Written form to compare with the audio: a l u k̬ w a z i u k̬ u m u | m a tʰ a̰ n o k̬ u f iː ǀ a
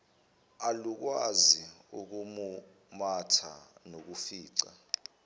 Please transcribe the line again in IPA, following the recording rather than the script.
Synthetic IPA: a l u k̬ w a z i u k̬ u m u | m a tʰ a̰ n o k̬ u f iː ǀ a